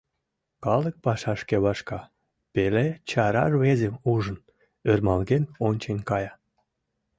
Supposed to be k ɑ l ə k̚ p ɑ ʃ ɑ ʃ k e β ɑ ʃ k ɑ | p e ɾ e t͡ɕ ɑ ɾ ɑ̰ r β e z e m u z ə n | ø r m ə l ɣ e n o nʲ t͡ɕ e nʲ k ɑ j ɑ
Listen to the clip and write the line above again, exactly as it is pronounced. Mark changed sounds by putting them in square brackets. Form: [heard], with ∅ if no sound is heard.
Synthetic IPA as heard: k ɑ l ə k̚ p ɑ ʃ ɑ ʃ k e β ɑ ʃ k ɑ | p e [l] e t͡ɕ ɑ ɾ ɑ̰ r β e z e m u [ʒ] ə n | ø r m [ɑ] l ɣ e n o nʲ t͡ɕ e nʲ k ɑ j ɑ